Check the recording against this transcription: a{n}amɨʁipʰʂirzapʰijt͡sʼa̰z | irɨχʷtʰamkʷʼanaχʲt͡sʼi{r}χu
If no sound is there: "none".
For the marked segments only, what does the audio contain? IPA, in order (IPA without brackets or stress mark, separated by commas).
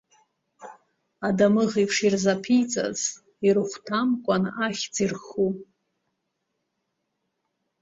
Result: d, r